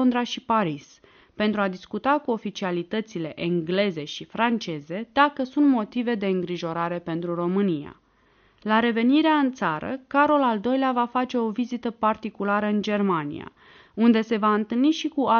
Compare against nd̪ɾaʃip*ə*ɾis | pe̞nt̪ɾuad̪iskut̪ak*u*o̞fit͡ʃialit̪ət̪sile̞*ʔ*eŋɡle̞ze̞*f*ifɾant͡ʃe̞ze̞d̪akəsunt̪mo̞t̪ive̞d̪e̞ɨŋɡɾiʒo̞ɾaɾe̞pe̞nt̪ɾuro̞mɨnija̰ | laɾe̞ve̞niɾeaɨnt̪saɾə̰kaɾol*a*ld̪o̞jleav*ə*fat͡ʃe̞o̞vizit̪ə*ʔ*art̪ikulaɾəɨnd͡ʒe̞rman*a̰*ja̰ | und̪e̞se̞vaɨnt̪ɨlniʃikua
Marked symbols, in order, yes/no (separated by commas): no, yes, yes, no, yes, no, no, no